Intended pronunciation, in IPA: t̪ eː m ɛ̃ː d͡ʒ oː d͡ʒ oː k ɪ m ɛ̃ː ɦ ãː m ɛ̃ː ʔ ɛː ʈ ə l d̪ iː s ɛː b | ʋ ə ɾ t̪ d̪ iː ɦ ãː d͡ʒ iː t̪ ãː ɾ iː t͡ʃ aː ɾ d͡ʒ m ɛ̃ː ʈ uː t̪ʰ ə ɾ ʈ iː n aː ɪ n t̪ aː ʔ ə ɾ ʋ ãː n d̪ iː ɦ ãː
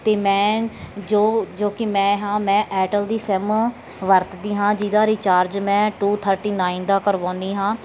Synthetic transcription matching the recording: t̪ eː m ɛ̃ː d͡ʒ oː d͡ʒ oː k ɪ m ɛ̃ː ɦ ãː m ɛ̃ː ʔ ɛː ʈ ə l d̪ iː s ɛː m | ʋ ə ɾ t̪ d̪ iː ɦ ãː d͡ʒ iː d̪ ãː ɾ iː t͡ʃ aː ɾ d͡ʒ m ɛ̃ː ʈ uː t̪ʰ ə ɾ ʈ iː n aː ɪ n d̪ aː k ə ɾ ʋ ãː n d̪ iː ɦ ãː